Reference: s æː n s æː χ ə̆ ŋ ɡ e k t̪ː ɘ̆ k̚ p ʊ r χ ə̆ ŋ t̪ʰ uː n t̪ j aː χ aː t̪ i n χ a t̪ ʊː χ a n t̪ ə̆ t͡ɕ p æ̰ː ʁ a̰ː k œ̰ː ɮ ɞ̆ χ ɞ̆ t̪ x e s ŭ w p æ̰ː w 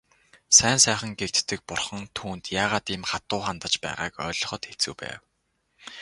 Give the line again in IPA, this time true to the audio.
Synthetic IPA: s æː n s æː χ ə̆ ŋ ɡ e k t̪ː ɘ̆ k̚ p ʊ r χ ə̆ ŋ t̪ʰ uː n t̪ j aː ʁ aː t̪ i m χ a t̪ ʊː χ a n t̪ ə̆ t͡ɕ p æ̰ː ʁ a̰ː k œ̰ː ɮ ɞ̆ χ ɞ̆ t̪ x e t͡s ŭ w p æ̰ː w